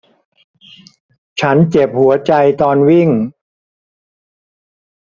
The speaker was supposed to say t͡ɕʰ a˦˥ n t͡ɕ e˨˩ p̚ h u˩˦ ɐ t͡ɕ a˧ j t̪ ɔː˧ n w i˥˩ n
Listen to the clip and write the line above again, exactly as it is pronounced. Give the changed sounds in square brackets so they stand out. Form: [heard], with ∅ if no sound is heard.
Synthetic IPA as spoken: t͡ɕʰ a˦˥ n t͡ɕ e˨˩ p̚ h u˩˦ ɐ t͡ɕ a˧ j t̪ ɔː˧ n w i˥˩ [ŋ]